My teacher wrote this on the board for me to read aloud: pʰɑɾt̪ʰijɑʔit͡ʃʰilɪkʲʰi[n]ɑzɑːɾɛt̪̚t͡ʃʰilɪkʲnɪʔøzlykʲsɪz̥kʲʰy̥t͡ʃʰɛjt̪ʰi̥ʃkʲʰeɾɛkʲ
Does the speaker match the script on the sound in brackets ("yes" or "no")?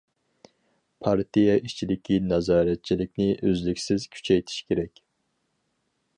yes